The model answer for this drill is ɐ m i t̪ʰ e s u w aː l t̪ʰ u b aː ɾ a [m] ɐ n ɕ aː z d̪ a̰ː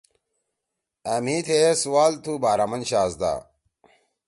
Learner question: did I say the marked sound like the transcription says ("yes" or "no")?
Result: yes